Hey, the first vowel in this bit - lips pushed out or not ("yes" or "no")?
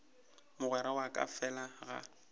yes